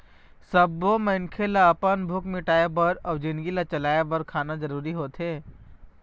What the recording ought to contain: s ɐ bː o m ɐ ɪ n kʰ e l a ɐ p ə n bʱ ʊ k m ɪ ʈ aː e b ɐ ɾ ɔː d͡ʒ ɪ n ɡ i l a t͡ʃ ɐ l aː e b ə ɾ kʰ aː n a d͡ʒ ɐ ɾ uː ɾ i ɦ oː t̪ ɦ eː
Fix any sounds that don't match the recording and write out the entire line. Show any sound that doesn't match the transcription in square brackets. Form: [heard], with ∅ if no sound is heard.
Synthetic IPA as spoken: s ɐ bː o m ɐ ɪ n kʰ e l a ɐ p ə n bʱ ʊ k m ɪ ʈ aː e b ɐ ɾ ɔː d͡ʒ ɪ n ɡ i l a t͡ʃ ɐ l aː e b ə ɾ kʰ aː n a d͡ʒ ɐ ɾ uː ɾ i ɦ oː t̪ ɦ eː